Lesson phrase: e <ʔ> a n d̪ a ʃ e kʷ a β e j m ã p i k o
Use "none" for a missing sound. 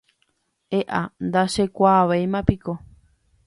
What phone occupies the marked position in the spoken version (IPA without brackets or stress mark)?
ʔ